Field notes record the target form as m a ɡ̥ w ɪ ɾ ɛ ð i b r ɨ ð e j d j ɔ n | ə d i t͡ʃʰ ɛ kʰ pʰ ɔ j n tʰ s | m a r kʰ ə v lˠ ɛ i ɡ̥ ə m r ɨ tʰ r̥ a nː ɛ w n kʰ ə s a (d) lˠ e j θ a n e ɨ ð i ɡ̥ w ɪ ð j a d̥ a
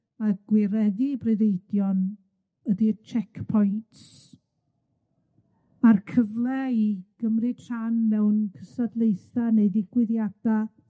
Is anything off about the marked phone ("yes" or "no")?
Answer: no